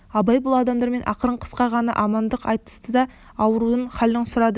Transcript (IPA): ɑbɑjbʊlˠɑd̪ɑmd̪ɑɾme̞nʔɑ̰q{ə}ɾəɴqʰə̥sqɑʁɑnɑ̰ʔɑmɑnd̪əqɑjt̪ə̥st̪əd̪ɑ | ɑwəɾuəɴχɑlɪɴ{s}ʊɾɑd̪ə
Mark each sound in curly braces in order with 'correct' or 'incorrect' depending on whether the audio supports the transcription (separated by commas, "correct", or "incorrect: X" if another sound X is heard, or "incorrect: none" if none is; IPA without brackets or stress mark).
correct, correct